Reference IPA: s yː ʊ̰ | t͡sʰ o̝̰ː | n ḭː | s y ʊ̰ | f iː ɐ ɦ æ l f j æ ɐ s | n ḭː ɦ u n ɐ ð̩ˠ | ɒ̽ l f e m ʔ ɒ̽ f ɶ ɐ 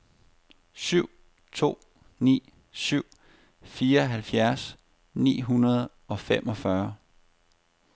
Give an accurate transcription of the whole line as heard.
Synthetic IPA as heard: s y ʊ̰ | t͡sʰ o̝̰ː | n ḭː | s y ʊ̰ | f iː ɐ ɦ æ l f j æ ɐ s | n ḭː ɦ u n ɐ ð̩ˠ | ɒ̽ f e m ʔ ɒ̽ f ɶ ɐ